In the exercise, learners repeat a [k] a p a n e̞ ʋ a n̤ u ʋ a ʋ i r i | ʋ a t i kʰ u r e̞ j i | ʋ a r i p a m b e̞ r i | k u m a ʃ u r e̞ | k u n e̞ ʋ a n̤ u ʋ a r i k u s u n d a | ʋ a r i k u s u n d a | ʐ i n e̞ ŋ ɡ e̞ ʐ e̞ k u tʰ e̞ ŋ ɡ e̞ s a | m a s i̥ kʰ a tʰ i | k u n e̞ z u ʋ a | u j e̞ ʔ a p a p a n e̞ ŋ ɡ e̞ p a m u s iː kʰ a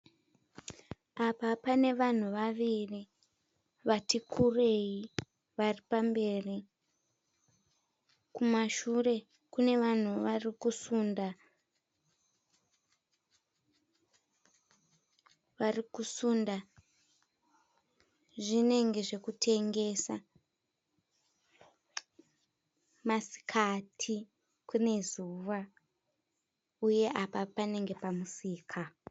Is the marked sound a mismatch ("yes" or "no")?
yes